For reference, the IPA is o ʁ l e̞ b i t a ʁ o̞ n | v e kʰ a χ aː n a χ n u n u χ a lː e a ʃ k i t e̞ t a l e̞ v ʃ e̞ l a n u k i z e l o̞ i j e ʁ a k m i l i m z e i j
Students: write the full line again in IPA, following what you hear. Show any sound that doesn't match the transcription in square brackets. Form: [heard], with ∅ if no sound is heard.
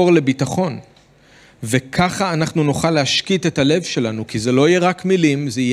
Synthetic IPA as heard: o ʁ l e̞ b i t a [χ] o̞ n | v e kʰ a χ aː n a χ n u n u χ a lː e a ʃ k i t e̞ t a l e̞ v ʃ e̞ l a n u k i z e l o̞ i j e ʁ a k m i l i m z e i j